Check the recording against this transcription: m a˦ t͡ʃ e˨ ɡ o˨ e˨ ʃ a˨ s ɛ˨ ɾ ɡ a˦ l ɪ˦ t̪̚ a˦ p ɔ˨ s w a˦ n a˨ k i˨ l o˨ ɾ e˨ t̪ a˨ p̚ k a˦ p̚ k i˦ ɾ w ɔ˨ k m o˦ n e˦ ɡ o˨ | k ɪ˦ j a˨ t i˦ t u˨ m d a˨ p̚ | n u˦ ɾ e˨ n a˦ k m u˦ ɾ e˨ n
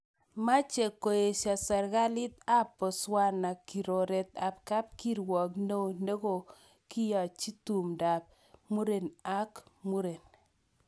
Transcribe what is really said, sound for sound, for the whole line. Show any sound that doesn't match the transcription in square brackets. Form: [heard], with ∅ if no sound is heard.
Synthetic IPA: m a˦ t͡ʃ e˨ [k] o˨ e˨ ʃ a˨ s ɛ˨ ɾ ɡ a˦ l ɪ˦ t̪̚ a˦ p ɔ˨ s w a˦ n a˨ k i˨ [ɾ] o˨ ɾ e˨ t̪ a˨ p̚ k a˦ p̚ k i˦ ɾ w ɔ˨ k [n] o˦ n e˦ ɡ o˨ | k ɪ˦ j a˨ [t͡ʃ] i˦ t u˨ m d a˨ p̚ | [m] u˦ ɾ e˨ n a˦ k m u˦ ɾ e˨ n